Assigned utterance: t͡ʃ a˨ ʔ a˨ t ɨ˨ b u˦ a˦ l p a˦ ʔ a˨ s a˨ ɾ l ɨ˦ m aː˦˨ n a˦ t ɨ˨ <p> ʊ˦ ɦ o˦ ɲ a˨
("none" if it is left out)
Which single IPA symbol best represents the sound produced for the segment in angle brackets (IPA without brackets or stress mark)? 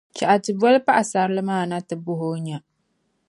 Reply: b